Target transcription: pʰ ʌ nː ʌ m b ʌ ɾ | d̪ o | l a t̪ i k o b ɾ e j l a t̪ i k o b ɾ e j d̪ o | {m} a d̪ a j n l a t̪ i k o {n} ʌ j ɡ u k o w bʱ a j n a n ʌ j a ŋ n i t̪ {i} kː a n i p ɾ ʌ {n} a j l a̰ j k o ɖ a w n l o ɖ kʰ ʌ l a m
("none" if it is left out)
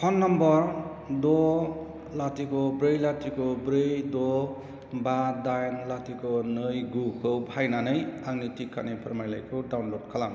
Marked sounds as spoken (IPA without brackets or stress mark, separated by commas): b, n, i, m